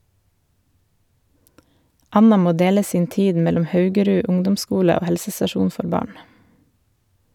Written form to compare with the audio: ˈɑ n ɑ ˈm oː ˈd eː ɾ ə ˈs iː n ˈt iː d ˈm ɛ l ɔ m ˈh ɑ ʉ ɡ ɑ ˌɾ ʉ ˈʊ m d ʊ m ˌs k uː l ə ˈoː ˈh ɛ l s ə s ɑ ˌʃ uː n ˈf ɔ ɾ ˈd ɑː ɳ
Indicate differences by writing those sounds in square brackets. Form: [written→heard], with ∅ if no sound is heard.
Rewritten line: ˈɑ n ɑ ˈm oː ˈd eː [ɾ→l] ə ˈs iː n ˈt iː d ˈm ɛ l ɔ m ˈh ɑ ʉ ɡ [ɑ→ə] ˌɾ ʉ ˈʊ [m→ŋ] d ʊ m ˌs k uː l ə ˈoː ˈh ɛ l s ə s ɑ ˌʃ uː n ˈf ɔ ɾ [ˈd→ˈb] ɑː ɳ